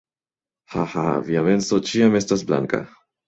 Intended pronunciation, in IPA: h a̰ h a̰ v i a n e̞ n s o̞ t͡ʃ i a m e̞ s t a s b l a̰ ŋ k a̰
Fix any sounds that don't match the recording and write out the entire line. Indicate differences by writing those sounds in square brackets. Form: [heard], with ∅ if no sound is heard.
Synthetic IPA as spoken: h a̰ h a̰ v i a [m] e̞ n s o̞ t͡ʃ i a m e̞ s t a s b l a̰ ŋ k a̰